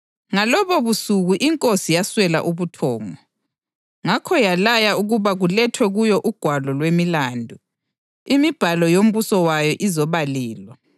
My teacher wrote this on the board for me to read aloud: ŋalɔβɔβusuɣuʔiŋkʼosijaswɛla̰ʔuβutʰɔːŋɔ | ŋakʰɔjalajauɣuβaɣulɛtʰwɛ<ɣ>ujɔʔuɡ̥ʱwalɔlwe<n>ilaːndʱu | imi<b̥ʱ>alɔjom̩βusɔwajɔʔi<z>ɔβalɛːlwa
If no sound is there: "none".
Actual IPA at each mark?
ɣ, m, b̥ʱ, z

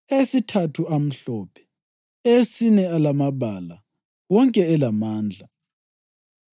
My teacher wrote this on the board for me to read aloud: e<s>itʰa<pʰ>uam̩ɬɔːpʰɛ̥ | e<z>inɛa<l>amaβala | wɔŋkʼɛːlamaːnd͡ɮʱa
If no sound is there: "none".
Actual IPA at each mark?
s, tʰ, s, l

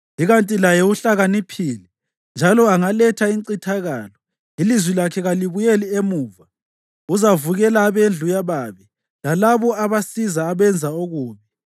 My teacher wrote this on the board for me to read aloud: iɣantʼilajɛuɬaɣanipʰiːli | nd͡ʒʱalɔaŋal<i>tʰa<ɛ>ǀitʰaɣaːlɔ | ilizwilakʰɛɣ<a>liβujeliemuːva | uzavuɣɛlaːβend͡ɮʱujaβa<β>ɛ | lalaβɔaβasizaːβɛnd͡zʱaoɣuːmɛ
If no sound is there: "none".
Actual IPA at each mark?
ɛ, i, a, β

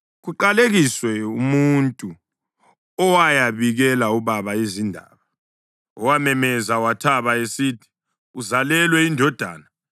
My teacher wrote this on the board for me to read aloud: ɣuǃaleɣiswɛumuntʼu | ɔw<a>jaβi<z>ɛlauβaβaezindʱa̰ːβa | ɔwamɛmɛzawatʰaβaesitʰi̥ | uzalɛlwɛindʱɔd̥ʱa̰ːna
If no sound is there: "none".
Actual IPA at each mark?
a, ɣ

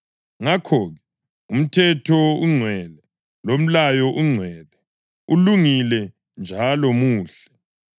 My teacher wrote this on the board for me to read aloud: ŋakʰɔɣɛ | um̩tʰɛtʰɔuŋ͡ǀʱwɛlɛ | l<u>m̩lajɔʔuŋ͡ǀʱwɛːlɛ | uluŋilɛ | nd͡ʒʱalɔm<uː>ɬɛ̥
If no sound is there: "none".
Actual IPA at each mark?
o, uː

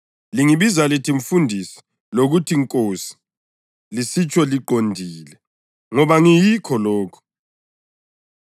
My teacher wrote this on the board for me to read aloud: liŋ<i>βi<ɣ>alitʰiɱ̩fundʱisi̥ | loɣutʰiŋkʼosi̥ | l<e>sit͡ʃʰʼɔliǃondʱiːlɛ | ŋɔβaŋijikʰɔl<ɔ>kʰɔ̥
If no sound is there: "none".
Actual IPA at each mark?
i, z, i, ɔː

